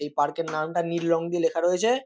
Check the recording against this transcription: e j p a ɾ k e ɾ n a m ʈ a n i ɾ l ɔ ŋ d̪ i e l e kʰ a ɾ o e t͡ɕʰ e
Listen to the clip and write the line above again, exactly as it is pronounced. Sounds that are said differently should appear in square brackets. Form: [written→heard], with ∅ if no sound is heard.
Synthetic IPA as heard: e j p a ɾ k e ɾ n a m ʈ a n i ɾ l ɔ ŋ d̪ i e l e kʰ a ɾ o e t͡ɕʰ e